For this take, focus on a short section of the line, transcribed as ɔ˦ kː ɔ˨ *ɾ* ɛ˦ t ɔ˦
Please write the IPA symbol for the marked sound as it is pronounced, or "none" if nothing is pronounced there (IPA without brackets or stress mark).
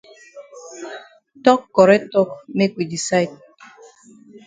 ɾ